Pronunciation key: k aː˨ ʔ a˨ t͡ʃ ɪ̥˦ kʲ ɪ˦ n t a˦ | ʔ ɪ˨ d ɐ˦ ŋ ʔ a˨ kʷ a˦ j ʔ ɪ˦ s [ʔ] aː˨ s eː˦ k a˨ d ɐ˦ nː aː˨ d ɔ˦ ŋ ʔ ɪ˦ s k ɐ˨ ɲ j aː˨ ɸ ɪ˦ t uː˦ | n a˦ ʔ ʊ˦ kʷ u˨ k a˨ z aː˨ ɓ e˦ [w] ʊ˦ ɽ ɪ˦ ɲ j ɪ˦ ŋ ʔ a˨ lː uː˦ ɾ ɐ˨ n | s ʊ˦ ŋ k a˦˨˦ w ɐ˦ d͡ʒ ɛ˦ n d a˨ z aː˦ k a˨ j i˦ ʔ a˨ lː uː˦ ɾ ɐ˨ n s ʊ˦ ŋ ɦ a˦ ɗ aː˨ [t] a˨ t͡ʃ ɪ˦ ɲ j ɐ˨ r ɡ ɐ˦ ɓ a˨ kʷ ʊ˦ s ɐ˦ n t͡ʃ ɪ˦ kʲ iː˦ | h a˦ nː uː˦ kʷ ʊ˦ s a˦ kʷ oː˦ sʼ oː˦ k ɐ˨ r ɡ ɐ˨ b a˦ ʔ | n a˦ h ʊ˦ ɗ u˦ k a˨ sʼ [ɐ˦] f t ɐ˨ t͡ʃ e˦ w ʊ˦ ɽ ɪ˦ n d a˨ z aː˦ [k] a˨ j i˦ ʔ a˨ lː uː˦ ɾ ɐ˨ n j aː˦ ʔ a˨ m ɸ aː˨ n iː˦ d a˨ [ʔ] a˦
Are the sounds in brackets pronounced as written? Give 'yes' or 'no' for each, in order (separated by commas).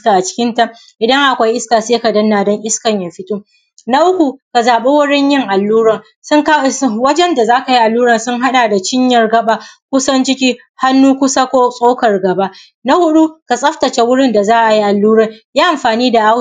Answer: no, yes, no, yes, no, yes